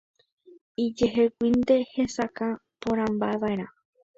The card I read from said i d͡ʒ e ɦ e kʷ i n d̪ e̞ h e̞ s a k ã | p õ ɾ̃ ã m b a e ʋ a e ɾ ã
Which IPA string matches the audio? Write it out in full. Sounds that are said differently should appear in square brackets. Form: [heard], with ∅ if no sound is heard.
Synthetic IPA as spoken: i d͡ʒ e ɦ e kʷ i n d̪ e̞ h e̞ s a k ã | p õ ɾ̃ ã m b a e ʋ a e ɾ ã